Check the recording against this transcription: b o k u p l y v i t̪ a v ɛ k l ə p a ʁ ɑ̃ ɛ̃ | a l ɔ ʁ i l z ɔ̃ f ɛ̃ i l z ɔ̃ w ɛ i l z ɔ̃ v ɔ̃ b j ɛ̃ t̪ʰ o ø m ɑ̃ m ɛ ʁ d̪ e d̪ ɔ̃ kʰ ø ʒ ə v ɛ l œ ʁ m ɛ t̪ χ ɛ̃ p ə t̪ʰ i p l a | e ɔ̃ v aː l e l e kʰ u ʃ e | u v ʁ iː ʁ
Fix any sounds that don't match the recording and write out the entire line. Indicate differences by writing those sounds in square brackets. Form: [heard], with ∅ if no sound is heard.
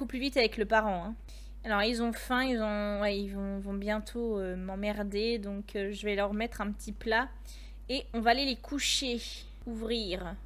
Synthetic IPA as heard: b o k u p l y v i t̪ a v ɛ k l ə p a ʁ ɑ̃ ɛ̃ | a l ɔ ʁ i l z ɔ̃ f ɛ̃ i l z ɔ̃ w ɛ i l [v] ɔ̃ v ɔ̃ b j ɛ̃ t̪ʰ o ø m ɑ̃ m ɛ ʁ d̪ e d̪ ɔ̃ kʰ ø ʒ ə v ɛ l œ ʁ m ɛ t̪ χ ɛ̃ p ə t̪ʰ i p l a | e ɔ̃ v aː l e l e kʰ u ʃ e | u v ʁ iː ʁ